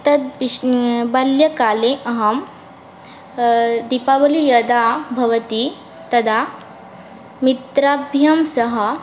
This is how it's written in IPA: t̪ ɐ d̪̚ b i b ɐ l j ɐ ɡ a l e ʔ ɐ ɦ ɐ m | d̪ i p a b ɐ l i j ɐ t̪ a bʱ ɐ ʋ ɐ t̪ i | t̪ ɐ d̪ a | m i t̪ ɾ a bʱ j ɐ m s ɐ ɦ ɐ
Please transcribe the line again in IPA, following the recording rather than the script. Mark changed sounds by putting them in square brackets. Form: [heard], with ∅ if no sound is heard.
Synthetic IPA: t̪ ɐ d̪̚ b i b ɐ l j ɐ [k] a l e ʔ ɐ ɦ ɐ m | d̪ i p a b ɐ l i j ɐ [d̪] a bʱ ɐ ʋ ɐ t̪ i | t̪ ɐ d̪ a | m i t̪ ɾ a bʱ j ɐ m s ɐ ɦ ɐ